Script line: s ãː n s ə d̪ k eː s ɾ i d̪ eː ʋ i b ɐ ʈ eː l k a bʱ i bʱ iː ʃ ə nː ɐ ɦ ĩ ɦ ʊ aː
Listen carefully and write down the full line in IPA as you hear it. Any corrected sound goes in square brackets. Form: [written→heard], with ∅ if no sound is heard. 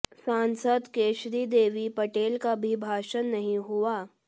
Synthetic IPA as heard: s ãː n s ə d̪ k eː [s→ʃ] ɾ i d̪ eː ʋ i [b→p] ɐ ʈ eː l k a bʱ i bʱ [iː→aː] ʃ ə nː ɐ ɦ ĩ ɦ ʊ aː